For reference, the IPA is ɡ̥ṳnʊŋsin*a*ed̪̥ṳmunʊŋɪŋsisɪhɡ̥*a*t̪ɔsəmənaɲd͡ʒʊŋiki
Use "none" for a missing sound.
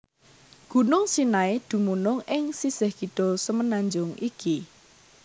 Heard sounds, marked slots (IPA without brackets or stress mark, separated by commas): a, i